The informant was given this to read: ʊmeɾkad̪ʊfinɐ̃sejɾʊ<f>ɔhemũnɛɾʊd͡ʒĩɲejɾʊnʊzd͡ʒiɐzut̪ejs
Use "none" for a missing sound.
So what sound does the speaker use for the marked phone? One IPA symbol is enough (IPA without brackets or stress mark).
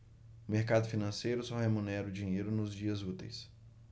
s